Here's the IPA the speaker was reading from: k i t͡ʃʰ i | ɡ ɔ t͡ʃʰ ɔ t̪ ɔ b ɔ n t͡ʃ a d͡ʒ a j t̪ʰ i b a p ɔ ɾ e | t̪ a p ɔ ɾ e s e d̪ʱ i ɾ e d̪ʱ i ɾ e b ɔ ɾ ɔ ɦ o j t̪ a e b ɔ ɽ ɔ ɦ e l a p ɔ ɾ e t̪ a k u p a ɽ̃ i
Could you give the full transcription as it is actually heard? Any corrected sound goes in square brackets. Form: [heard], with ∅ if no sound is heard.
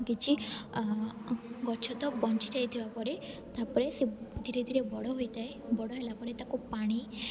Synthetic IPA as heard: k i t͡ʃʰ i | ɡ ɔ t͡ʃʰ ɔ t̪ ɔ b ɔ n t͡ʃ [i] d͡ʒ a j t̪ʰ i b a p ɔ ɾ e | t̪ a p ɔ ɾ e s e d̪ʱ i ɾ e d̪ʱ i ɾ e b ɔ [ɽ] ɔ ɦ o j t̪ a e b ɔ ɽ ɔ ɦ e l a p ɔ ɾ e t̪ a k u p a ɽ̃ i

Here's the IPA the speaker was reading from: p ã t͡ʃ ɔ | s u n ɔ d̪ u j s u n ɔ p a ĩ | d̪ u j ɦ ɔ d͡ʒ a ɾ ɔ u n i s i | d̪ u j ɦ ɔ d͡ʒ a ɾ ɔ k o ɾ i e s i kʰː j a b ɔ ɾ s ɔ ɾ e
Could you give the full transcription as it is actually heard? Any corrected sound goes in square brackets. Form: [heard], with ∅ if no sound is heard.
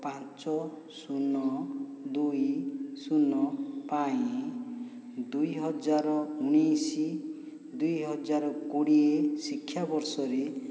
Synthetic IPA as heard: p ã t͡ʃ ɔ | s u n ɔ d̪ u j s u n ɔ p a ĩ | d̪ u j ɦ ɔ d͡ʒ a ɾ ɔ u n i s i | d̪ u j ɦ ɔ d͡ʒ a ɾ ɔ k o [ɽ] i e s i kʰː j a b ɔ ɾ s ɔ ɾ e

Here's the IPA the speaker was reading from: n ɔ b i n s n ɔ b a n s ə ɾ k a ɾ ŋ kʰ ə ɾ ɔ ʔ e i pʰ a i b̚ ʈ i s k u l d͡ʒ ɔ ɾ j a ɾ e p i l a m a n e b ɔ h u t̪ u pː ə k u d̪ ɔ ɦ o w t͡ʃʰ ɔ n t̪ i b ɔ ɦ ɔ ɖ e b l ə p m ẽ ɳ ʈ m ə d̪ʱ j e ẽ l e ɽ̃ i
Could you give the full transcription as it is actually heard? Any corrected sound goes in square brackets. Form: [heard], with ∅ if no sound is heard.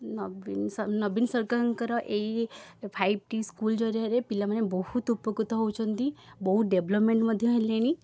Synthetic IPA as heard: n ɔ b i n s n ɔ b [i] n s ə ɾ k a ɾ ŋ [k] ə ɾ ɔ ʔ e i pʰ a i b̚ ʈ i s k u l d͡ʒ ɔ ɾ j a ɾ e p i l a m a n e b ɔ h u t̪ u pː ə k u [t̪] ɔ ɦ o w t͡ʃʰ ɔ n t̪ i b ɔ ɦ [u] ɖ e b l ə p m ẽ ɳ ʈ m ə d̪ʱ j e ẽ l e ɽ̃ i

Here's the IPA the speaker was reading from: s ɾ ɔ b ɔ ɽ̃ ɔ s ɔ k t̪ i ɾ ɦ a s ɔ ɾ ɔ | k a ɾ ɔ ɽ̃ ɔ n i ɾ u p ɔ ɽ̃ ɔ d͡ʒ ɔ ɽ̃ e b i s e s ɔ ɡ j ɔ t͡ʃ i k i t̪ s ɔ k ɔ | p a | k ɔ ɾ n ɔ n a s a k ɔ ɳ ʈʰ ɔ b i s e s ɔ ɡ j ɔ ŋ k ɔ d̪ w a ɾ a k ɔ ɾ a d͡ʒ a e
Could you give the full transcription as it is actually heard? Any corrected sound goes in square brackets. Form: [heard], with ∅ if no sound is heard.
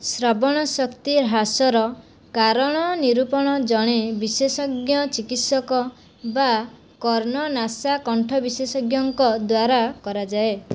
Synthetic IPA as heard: s ɾ ɔ b ɔ ɽ̃ ɔ s ɔ k t̪ i ɾ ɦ a s ɔ ɾ ɔ | k a ɾ ɔ ɽ̃ ɔ n i ɾ u p ɔ ɽ̃ ɔ d͡ʒ ɔ ɽ̃ e b i s e s ɔ ɡ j ɔ t͡ʃ i k i t̪ s ɔ k ɔ | [b] a | k ɔ ɾ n ɔ n a s a k ɔ ɳ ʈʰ ɔ b i s e s ɔ ɡ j ɔ ŋ k ɔ d̪ w a ɾ a k ɔ ɾ a d͡ʒ a e

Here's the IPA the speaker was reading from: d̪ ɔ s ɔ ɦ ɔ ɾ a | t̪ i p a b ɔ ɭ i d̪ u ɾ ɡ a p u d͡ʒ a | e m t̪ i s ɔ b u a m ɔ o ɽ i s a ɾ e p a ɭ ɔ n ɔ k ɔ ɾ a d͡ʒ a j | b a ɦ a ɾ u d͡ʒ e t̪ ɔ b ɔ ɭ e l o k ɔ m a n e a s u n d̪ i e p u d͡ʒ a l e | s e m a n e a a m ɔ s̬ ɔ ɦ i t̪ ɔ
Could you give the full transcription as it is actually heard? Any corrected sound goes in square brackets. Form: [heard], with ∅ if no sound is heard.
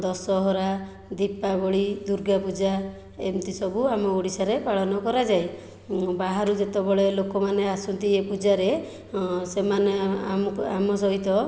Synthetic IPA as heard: d̪ ɔ s ɔ ɦ ɔ ɾ a | [d̪] i p a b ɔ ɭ i d̪ u ɾ ɡ a p u d͡ʒ a | e m t̪ i s ɔ b u a m ɔ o ɽ i s a ɾ e p a ɭ ɔ n ɔ k ɔ ɾ a d͡ʒ a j | b a ɦ a ɾ u d͡ʒ e t̪ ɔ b ɔ ɭ e l o k ɔ m a n e a s u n [t̪] i e p u d͡ʒ a [ɾ] e | s e m a n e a a m ɔ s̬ ɔ ɦ i t̪ ɔ

